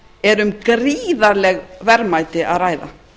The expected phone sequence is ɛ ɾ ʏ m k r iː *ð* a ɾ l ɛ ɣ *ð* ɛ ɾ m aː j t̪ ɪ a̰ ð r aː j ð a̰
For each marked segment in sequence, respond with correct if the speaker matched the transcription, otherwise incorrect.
correct, incorrect: v

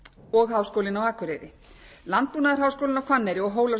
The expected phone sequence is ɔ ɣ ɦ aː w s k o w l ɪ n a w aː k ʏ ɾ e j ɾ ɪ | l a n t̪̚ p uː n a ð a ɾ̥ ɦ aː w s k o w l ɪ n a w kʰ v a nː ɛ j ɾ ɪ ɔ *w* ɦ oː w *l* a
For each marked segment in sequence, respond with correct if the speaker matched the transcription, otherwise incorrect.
incorrect: ɣ, correct

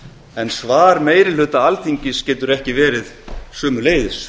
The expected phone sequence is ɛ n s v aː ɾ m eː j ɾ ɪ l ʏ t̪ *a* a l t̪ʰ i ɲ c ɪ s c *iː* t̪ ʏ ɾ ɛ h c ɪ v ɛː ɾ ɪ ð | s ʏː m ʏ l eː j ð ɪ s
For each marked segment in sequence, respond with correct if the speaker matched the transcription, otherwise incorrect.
correct, incorrect: ɛː

